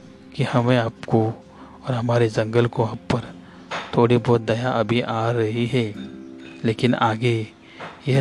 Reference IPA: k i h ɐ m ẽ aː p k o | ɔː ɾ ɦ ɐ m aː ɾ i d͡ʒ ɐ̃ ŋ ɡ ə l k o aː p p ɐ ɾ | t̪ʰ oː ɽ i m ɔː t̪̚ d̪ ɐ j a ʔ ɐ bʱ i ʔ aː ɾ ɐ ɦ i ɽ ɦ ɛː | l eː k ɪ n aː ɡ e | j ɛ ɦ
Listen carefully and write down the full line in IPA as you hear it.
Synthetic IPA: k i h ɐ m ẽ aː p k o | ɔː ɾ ɦ ɐ m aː ɾ e d͡ʒ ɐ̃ ŋ ɡ ə l k o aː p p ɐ ɾ | t̪ʰ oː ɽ i b ɔː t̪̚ d̪ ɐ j a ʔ ɐ bʱ i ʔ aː ɾ ɐ ɦ i ɦ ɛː | l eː k ɪ n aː ɡ e | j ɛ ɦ